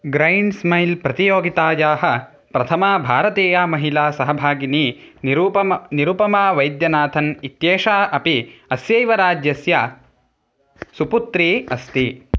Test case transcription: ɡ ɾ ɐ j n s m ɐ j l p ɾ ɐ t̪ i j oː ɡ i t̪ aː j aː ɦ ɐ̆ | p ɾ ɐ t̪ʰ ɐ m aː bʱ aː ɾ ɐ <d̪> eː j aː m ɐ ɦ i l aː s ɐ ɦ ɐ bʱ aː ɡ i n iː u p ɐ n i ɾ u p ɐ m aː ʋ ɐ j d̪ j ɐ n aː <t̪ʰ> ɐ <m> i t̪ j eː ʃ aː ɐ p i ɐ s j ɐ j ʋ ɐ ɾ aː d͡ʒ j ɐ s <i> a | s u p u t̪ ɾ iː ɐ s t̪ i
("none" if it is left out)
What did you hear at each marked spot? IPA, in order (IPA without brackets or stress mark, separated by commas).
t̪, t̪ʰ, n, j